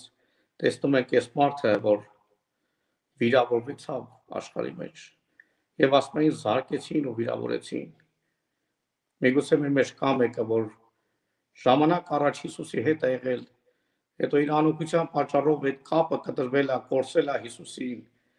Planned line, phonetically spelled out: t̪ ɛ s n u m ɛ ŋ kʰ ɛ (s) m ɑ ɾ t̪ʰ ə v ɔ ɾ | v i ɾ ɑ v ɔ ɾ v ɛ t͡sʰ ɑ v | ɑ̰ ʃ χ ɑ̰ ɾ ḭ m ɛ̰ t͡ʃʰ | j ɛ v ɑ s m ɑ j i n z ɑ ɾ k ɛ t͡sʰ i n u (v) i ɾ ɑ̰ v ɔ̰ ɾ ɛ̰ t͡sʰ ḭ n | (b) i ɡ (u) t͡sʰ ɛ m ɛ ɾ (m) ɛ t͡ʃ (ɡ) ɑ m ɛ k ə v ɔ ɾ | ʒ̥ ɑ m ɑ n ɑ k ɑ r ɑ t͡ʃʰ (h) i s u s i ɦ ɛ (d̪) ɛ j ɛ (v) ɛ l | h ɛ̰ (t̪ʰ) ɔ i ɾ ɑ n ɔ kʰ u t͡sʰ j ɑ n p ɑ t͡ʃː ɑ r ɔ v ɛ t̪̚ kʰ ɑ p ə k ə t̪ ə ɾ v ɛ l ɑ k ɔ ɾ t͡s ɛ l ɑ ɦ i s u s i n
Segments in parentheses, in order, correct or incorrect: correct, correct, incorrect: m, correct, correct, incorrect: k, correct, incorrect: t̪, incorrect: ʁ, incorrect: t̪

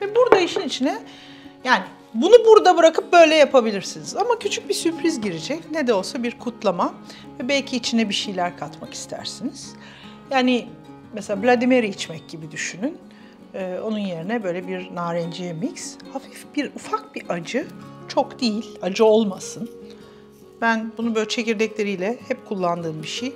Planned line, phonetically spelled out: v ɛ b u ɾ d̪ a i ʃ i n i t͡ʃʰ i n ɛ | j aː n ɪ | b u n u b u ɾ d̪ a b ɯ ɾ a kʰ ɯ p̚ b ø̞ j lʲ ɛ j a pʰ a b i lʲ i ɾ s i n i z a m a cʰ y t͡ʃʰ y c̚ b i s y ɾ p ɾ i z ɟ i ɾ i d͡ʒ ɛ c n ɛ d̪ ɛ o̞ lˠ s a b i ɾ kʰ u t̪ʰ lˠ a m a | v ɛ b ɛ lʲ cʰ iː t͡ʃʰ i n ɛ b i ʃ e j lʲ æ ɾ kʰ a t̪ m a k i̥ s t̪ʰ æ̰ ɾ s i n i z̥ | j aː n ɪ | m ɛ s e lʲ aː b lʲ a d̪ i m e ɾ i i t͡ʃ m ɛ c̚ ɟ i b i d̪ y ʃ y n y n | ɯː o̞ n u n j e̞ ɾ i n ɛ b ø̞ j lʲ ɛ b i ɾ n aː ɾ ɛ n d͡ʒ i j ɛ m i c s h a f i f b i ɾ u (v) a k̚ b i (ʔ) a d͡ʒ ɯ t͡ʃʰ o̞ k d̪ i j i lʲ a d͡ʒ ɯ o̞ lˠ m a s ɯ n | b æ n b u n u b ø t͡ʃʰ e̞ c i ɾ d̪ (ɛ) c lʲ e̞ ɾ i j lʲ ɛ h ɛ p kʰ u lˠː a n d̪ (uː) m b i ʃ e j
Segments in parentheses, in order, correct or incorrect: incorrect: f, correct, correct, incorrect: ɯː

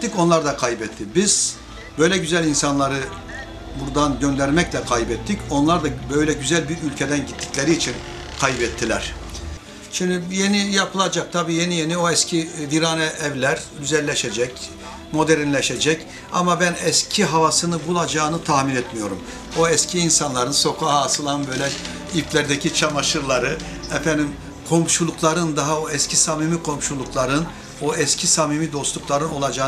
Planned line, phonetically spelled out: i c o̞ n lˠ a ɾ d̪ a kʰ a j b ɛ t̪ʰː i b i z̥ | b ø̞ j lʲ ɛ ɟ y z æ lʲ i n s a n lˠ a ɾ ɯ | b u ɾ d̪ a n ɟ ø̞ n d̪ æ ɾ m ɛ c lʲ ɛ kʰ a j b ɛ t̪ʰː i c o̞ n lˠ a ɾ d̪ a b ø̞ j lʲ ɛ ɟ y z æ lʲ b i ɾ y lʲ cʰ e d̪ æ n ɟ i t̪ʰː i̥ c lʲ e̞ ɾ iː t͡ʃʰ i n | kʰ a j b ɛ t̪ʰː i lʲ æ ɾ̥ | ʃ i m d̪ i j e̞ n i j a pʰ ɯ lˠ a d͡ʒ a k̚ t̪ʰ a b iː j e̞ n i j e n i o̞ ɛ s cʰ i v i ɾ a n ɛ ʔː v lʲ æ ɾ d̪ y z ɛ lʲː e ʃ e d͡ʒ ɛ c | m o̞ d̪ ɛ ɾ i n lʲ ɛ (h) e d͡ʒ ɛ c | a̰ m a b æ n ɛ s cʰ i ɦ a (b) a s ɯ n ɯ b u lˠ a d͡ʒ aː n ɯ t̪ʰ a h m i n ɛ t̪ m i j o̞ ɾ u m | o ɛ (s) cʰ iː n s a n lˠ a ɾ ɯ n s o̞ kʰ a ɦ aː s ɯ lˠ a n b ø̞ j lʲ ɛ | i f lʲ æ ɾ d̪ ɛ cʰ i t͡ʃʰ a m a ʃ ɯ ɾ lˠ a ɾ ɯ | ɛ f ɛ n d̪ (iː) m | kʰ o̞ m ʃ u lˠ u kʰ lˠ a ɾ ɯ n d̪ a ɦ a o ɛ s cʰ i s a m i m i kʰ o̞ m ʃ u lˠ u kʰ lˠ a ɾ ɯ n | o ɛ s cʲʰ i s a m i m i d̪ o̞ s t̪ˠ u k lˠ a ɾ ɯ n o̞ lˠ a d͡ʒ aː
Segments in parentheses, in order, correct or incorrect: incorrect: ʃ, incorrect: v, correct, incorrect: i

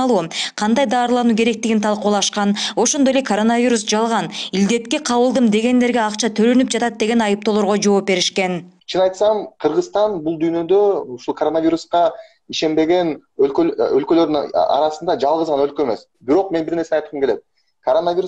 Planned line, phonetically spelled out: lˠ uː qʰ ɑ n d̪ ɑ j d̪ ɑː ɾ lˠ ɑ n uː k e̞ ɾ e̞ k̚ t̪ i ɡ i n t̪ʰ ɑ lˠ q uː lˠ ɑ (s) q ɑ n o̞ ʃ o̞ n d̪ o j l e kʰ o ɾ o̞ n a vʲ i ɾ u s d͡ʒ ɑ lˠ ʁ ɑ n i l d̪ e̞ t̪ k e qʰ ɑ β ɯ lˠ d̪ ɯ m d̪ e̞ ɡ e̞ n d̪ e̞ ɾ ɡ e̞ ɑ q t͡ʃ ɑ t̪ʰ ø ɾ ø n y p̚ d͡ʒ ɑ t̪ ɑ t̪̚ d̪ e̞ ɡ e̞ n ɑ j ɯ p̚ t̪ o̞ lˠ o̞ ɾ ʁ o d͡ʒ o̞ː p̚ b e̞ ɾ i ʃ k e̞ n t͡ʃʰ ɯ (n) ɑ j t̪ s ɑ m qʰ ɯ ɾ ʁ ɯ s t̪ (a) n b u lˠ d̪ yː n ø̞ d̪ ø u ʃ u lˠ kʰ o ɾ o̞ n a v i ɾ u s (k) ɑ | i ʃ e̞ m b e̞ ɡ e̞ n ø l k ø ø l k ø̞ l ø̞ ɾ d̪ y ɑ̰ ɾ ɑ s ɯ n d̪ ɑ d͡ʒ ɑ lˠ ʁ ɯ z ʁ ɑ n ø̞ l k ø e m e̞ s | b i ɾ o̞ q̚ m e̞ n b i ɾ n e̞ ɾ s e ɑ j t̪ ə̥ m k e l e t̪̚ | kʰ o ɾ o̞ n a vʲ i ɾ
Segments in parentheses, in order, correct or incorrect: incorrect: ʃ, correct, incorrect: ɑ, incorrect: q

